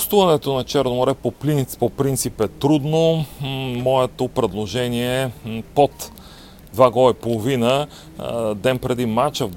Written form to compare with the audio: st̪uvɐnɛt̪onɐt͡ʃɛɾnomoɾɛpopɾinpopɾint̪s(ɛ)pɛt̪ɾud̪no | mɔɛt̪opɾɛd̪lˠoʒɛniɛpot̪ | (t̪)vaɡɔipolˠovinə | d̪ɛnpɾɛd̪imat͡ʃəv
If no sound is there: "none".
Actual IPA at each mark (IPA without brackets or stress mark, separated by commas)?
i, d̪